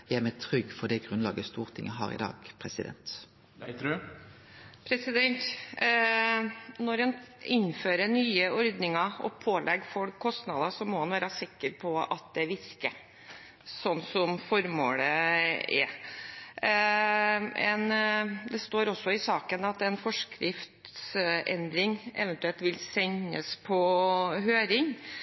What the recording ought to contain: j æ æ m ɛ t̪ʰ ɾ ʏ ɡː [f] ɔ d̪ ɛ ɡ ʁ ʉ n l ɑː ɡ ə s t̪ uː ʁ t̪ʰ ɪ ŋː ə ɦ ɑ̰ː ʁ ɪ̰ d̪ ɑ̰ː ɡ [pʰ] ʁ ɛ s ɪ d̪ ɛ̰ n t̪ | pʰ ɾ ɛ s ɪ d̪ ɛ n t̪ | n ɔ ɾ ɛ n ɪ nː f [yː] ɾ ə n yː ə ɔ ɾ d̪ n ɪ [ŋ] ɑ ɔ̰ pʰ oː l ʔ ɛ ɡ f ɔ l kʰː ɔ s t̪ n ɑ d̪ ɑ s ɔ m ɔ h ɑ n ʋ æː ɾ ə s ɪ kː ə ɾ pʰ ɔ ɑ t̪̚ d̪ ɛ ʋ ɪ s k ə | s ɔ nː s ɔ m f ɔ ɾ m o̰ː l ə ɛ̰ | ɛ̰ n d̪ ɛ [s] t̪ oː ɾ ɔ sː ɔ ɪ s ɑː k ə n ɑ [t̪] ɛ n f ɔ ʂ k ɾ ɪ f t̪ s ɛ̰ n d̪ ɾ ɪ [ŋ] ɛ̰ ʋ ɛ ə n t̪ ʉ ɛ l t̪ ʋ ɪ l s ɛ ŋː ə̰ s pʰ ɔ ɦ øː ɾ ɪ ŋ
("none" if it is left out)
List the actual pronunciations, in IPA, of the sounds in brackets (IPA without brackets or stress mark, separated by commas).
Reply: f, pʰ, øː, ŋ, s, t̪, ŋ